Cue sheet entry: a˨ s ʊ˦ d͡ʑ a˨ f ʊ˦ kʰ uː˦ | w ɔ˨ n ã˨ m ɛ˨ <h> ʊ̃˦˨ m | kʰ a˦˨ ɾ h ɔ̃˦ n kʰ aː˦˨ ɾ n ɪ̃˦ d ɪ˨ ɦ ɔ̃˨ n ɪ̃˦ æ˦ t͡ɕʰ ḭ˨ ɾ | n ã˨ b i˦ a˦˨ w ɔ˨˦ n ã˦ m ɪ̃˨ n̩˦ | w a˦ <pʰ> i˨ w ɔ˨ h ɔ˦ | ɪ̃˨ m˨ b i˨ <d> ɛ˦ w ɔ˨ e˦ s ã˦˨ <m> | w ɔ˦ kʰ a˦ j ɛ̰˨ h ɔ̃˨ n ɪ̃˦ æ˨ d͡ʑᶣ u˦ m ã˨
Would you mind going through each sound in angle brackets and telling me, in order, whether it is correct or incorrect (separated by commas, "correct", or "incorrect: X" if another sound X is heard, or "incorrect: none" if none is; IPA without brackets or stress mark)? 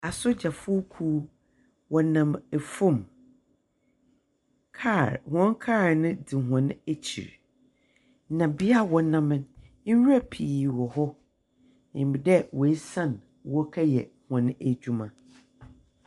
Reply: incorrect: f, correct, correct, incorrect: n